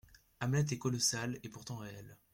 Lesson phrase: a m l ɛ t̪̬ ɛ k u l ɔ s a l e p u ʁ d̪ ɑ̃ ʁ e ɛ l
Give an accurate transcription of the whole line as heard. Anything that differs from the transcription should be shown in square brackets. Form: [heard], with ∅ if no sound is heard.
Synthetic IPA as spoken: a m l ɛ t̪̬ ɛ k [ɔ] l ɔ s a l e p u ʁ [t̪] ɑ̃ ʁ e ɛ l